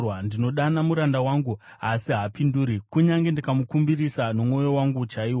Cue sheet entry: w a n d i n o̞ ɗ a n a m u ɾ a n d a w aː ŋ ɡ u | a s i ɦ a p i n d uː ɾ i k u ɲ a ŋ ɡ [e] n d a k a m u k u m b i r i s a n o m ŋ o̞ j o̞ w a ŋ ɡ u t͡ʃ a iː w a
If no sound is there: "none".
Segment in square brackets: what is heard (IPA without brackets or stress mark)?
e